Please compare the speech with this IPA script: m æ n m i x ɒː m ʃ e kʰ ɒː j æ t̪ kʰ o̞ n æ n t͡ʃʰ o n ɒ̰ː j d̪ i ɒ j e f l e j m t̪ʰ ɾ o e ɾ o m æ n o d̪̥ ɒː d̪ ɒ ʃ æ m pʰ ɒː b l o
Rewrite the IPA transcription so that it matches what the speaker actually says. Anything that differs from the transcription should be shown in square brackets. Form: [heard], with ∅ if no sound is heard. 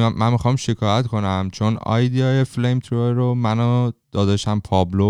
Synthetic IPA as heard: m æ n m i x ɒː m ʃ e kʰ ɒː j æ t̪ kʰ o̞ n æ [m] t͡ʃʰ o n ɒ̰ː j d̪ i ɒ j e f l e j m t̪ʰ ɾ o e ɾ o m æ n o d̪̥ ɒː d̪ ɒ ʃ æ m pʰ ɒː b l o